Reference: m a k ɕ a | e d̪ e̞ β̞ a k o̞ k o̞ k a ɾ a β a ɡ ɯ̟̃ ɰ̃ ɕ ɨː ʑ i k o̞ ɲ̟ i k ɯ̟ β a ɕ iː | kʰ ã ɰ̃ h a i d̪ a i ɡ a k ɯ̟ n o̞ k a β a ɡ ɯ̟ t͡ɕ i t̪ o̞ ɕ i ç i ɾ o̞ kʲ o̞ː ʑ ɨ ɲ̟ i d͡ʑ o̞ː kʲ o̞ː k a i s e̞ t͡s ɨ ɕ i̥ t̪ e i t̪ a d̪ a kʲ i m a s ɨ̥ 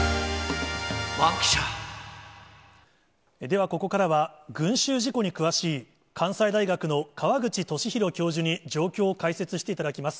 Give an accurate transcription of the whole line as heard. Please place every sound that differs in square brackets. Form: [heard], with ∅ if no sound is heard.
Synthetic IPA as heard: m a k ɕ a | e d̪ e̞ β̞ a k o̞ k o̞ k a ɾ a β a ɡ ɯ̟̃ ɰ̃ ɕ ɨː ʑ i k o̞ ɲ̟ i k ɯ̟ β a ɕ iː | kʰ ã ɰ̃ [s] a i d̪ a i ɡ a k ɯ̟ n o̞ k a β a ɡ ɯ̟ t͡ɕ i t̪ o̞ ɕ i ç i ɾ o̞ kʲ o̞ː ʑ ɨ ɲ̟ i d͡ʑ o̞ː kʲ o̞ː k a i s e̞ t͡s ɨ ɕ i̥ t̪ e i t̪ a d̪ a kʲ i m a s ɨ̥